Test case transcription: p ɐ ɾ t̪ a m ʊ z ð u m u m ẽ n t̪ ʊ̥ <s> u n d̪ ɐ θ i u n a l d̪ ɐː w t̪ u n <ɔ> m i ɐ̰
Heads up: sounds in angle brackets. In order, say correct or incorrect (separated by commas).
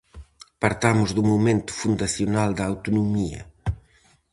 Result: incorrect, incorrect